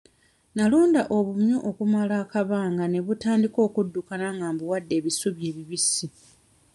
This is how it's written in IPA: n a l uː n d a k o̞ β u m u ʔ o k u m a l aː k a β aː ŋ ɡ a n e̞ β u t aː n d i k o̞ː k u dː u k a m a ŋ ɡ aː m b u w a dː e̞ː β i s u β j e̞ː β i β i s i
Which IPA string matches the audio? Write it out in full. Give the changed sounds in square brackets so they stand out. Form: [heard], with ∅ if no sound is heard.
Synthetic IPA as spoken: n a l uː n d a [ʔ] o̞ β u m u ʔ o k u m a l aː k a β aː ŋ ɡ a n e̞ β u t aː n d i k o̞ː k u dː u k a [n] a ŋ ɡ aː m b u w a dː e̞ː β i s u β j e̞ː β i β i s i